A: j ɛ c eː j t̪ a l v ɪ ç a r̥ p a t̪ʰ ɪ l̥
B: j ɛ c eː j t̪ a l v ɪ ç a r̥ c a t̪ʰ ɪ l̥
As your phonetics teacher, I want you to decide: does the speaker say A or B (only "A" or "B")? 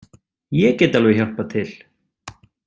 A